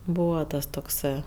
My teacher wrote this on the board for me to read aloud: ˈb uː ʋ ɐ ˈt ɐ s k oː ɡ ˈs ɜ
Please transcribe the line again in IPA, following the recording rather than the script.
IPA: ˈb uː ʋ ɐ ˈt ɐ s t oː k ˈs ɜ